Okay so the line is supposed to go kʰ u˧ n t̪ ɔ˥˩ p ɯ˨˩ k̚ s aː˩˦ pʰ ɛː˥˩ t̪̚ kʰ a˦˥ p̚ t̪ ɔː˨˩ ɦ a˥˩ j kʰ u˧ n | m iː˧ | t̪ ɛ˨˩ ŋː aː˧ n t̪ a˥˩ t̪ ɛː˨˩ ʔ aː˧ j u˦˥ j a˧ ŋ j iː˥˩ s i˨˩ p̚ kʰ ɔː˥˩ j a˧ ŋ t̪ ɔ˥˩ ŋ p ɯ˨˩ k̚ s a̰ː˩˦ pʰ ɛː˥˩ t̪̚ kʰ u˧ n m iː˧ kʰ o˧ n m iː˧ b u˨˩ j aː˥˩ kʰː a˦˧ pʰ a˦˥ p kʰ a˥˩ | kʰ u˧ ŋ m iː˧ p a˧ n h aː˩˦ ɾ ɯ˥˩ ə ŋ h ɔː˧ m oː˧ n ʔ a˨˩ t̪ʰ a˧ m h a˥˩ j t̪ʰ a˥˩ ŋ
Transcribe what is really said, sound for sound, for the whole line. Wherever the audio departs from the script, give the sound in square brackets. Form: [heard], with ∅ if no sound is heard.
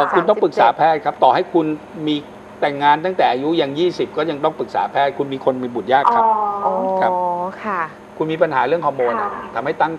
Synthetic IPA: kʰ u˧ n t̪ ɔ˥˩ p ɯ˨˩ k̚ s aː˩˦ pʰ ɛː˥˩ t̪̚ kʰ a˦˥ p̚ t̪ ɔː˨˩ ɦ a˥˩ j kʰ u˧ n | m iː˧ | t̪ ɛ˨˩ ŋː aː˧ n t̪ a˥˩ t̪ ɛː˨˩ ʔ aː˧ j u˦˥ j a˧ ŋ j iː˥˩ s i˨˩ p̚ [k] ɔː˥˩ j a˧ ŋ t̪ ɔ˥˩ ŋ p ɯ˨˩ k̚ s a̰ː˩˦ pʰ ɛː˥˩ t̪̚ kʰ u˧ n m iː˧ kʰ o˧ n m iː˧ b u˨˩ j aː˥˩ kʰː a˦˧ [kʰ] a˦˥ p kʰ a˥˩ | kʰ u˧ [n] m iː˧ p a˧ n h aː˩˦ ɾ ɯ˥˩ ə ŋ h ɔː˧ m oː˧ n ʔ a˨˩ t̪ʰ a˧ m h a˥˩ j [t̪] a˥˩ ŋ